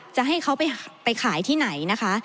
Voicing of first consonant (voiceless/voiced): voiceless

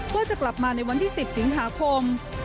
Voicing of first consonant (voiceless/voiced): voiced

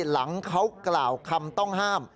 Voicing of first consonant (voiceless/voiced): voiced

